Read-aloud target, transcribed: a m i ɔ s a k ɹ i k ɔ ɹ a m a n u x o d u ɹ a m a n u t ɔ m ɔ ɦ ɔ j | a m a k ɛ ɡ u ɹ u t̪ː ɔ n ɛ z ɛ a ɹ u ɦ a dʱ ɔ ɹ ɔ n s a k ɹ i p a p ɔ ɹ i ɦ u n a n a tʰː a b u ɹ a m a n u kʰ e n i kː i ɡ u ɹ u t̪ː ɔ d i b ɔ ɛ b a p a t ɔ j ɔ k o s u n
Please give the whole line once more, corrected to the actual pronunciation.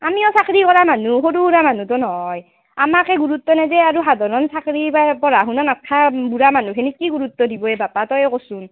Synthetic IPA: a m i ɔ s a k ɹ i k ɔ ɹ a m a n u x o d u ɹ a m a n u t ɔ n ɔ ɦ ɔ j | a m a k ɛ ɡ u ɹ u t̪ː ɔ n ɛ z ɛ a ɹ u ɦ a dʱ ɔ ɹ ɔ n s a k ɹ i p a p ɔ ɹ a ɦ u n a n a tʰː a b u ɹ a m a n u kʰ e n i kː i ɡ u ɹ u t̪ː ɔ d i b ɔ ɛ b a p a t ɔ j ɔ k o s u n

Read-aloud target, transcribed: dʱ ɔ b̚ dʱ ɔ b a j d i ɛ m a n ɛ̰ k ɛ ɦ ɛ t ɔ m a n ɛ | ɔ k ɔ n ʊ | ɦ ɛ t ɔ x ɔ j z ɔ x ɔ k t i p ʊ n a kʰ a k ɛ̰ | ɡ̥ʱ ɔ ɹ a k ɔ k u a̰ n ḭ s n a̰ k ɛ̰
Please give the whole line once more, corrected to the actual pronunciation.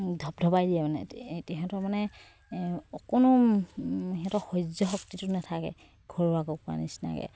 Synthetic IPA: dʱ ɔ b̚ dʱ ɔ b a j d i ɛ m a n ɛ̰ t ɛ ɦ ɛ t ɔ m a n ɛ | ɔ k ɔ n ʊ | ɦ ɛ t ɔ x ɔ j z ɔ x ɔ k t i t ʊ n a tʰ a k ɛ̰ | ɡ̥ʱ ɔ ɹ a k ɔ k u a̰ n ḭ s n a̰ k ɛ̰

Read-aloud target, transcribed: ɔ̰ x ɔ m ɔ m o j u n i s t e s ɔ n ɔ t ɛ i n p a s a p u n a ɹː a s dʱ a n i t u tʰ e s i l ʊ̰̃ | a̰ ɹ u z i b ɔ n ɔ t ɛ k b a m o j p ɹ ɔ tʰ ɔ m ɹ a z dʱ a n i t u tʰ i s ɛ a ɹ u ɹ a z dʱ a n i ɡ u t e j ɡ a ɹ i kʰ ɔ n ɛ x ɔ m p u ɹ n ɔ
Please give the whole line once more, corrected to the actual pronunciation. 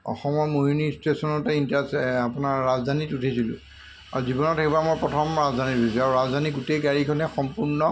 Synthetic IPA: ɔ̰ x ɔ m ɔ m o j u n i s t e s ɔ n ɔ t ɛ i n t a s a p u n a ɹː a z dʱ a n i t u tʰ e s i l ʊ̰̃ | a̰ ɹ u z i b ɔ n ɔ t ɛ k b a m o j p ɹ ɔ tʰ ɔ m ɹ a z dʱ a n i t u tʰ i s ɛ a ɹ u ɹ a z dʱ a n i ɡ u t e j ɡ a ɹ i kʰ ɔ n ɛ x ɔ m p u ɹ n ɔ

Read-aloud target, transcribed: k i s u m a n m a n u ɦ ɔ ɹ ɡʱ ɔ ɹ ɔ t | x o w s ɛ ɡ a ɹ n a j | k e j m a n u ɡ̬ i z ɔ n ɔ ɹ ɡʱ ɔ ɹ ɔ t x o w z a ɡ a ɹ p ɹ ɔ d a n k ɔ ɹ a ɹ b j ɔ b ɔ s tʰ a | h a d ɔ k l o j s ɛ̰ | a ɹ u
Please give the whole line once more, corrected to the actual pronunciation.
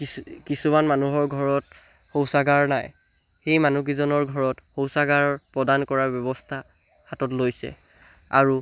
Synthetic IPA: k i s u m a n m a n u ɦ ɔ ɹ ɡʱ ɔ ɹ ɔ t | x o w s a ɡ a ɹ n a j | x e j m a n u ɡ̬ i z ɔ n ɔ ɹ ɡʱ ɔ ɹ ɔ t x o w s a ɡ a ɹ p ɹ ɔ d a n k ɔ ɹ a ɹ b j ɔ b ɔ s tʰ a | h a t ɔ t l o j s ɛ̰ | a ɹ u

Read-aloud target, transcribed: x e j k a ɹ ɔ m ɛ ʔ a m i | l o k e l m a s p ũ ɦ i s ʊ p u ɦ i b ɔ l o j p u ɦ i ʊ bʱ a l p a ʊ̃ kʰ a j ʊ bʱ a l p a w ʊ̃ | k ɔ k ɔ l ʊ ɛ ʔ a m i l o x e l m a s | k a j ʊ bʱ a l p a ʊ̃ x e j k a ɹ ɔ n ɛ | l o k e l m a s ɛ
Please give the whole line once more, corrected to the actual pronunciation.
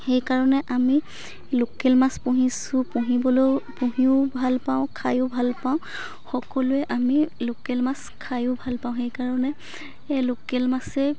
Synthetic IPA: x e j k a ɹ ɔ n ɛ ʔ a m i | l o k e l m a s p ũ ɦ i s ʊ p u ɦ i b ɔ l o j p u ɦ i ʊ bʱ a l p a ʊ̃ kʰ a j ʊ bʱ a l p a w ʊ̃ | x ɔ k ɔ l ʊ ɛ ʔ a m i l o k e l m a s | kʰ a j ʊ bʱ a l p a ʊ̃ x e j k a ɹ ɔ n ɛ | l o k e l m a s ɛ

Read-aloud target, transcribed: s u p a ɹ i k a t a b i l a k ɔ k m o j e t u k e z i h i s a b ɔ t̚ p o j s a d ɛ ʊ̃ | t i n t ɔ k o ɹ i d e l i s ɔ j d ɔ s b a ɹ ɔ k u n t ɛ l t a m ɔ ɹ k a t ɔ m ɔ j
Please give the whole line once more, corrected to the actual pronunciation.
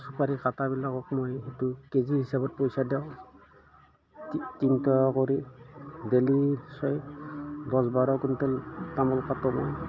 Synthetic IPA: s u p a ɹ i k a t a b i l a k ɔ k m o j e t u k e z i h i s a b ɔ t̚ p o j s a d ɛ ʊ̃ | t i n t ɔ k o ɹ i d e l i s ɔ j d ɔ s b a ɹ ɔ k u n t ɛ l t a m ɔ l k a t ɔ m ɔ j

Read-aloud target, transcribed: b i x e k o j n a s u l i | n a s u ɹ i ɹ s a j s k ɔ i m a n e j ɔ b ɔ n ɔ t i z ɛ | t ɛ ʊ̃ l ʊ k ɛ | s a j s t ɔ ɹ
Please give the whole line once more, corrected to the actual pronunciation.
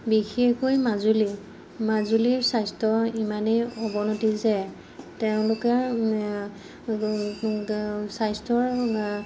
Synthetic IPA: b i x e k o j m a z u l i | m a z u l i ɹ s a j s t ɔ i m a n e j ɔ b ɔ n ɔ t i z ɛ | t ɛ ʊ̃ l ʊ k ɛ | s a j s t ɔ ɹ

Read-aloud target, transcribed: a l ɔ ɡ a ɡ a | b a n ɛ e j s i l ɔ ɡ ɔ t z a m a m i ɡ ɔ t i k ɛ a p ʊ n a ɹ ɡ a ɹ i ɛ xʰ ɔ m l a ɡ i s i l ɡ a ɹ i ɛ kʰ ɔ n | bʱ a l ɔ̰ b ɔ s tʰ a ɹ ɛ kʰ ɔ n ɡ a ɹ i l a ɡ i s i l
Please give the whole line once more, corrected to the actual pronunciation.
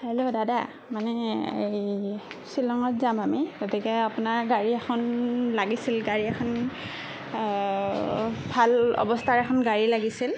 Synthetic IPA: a l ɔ d a d a | m a n ɛ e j s i l ɔ ŋ ɔ t z a m a m i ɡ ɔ t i k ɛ a p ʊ n a ɹ ɡ a ɹ i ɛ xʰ ɔ n l a ɡ i s i l ɡ a ɹ i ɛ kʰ ɔ n | bʱ a l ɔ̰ b ɔ s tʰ a ɹ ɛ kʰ ɔ n ɡ a ɹ i l a ɡ i s i l

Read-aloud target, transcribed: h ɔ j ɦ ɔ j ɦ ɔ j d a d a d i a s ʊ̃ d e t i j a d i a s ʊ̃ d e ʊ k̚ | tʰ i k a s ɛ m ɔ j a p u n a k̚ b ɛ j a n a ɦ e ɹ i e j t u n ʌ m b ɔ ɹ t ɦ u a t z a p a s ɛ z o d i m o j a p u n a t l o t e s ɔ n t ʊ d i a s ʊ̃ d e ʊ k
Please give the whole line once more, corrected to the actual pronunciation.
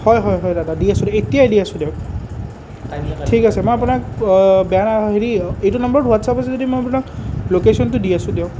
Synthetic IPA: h ɔ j ɦ ɔ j ɦ ɔ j d a d a d i a s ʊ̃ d e t i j a d i a s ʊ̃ d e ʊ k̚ | tʰ i k a s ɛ m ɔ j a p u n a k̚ b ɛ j a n a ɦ e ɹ i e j t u n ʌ m b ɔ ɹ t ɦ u a t s a p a s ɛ z o d i m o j a p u n a k l o k e s ɔ n t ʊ d i a s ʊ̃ d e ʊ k

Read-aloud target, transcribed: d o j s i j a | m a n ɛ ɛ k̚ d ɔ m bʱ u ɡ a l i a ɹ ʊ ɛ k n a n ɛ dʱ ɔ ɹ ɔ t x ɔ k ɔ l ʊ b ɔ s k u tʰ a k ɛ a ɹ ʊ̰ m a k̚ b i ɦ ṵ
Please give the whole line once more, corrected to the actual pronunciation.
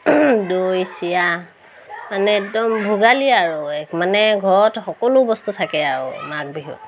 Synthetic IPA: d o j s i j a | m a n ɛ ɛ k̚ d ɔ m bʱ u ɡ a l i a ɹ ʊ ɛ k m a n ɛ ɡʱ ɔ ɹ ɔ t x ɔ k ɔ l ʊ b ɔ s t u tʰ a k ɛ a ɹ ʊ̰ m a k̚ b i ɦ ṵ

